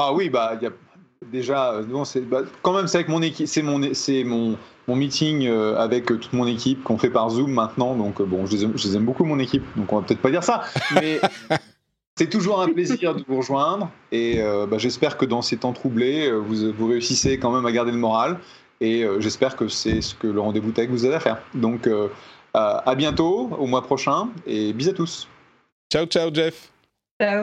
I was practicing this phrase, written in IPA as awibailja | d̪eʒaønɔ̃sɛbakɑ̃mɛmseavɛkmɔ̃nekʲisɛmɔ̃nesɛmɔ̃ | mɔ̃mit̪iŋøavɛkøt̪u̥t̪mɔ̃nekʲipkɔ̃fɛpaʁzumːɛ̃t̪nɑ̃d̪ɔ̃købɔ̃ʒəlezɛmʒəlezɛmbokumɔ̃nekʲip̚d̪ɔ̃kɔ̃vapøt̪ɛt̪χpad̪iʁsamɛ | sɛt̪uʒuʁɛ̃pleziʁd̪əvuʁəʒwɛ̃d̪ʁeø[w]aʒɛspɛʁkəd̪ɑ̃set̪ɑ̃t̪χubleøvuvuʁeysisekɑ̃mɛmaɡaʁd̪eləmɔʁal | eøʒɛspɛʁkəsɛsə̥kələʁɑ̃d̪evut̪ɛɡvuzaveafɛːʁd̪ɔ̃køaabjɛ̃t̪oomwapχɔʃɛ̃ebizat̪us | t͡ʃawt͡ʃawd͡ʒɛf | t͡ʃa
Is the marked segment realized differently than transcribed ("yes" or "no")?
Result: yes